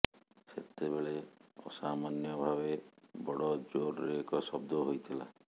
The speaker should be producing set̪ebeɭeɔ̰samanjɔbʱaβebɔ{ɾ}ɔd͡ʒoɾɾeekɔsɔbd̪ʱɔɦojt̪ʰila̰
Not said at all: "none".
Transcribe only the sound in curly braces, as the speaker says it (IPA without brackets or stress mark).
ɽ